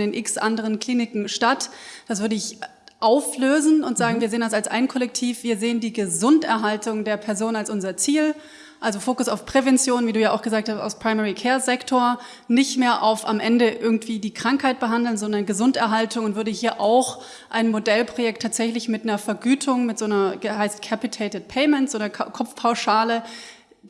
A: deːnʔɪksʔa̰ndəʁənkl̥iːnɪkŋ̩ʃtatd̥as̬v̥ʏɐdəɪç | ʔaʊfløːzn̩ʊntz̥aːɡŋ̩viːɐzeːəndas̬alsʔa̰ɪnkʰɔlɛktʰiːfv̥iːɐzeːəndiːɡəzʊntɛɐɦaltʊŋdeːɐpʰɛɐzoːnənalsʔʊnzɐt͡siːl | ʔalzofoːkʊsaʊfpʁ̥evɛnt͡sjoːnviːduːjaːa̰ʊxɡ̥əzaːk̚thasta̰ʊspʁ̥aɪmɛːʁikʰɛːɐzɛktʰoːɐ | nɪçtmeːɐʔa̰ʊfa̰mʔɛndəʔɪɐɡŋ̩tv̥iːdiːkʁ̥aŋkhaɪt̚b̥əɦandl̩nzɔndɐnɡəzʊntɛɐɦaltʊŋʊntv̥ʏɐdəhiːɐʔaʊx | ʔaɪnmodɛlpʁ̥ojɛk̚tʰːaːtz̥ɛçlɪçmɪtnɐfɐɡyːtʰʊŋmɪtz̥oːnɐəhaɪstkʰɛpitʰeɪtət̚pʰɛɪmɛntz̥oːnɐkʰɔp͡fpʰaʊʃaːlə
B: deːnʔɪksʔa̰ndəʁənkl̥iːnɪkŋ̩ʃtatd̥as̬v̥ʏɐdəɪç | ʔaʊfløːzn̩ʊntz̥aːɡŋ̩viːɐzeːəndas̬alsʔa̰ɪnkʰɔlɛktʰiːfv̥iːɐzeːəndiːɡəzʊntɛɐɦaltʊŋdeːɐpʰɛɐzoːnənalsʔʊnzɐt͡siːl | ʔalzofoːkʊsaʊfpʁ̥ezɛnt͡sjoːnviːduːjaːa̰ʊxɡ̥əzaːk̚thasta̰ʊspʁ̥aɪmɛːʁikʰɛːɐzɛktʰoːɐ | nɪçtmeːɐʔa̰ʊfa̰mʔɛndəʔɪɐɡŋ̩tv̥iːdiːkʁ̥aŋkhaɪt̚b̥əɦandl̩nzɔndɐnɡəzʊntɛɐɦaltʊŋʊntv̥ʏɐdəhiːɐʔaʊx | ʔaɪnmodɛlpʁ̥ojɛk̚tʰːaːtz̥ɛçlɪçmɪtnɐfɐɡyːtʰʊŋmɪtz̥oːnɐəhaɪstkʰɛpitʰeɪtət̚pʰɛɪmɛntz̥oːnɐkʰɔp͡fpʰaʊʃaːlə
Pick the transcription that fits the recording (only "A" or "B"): A